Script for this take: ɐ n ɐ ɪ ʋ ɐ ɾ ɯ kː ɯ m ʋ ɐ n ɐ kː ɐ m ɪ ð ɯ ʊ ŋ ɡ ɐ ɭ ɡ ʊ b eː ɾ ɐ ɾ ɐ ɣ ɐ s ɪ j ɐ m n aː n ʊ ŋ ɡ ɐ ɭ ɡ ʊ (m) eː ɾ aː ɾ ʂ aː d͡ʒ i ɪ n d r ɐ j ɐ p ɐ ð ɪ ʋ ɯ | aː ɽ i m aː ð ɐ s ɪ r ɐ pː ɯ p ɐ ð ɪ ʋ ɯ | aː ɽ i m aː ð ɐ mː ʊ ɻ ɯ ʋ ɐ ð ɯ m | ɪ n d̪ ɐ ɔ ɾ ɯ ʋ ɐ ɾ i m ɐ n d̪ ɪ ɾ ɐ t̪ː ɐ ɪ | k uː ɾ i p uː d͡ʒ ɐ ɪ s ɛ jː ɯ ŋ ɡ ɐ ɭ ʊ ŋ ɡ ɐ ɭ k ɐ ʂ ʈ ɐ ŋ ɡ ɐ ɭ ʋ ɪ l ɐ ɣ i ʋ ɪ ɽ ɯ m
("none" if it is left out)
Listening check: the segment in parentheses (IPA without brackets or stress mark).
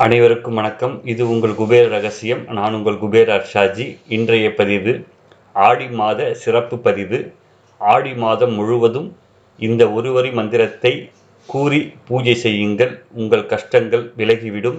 b